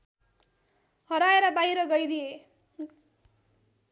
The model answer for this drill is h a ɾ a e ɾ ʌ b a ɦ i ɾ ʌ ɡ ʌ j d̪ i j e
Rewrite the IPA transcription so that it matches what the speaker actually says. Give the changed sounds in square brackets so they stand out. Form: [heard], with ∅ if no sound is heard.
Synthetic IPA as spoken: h [ʌ] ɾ a e ɾ ʌ b a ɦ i ɾ ʌ ɡ ʌ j d̪ i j e